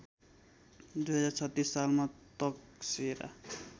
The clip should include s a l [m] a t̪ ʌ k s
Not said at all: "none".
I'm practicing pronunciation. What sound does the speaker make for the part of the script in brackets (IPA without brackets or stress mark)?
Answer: m